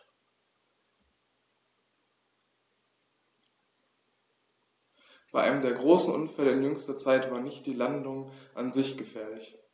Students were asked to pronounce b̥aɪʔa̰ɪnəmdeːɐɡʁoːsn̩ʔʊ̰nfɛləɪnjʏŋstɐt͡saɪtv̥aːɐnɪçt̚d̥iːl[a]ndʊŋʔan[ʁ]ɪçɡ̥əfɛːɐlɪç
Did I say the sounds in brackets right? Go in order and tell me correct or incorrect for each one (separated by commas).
correct, incorrect